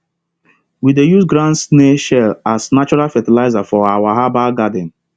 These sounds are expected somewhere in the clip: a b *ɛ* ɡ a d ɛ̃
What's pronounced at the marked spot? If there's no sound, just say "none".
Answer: a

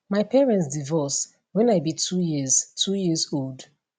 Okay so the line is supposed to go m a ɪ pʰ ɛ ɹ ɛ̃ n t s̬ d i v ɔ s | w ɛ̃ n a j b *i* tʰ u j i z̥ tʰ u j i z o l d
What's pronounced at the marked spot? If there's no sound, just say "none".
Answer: i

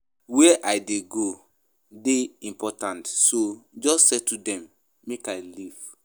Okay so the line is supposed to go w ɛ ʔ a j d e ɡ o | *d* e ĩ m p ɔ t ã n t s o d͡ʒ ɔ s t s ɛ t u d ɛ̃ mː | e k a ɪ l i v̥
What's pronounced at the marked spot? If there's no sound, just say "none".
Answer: d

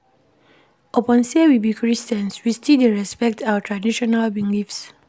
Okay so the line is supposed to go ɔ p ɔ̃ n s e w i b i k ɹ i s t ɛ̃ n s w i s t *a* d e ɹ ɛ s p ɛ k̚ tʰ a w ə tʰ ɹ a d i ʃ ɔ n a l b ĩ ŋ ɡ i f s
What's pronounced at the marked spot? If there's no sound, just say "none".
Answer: i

